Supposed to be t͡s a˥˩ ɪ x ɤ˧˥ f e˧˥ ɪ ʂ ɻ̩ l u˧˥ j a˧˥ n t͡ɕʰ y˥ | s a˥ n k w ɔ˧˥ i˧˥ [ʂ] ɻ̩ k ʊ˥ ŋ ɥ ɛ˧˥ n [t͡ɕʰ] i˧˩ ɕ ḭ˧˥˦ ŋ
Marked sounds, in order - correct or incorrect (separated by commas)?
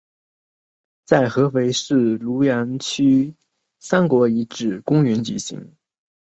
incorrect, incorrect